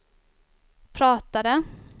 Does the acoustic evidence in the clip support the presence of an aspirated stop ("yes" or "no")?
yes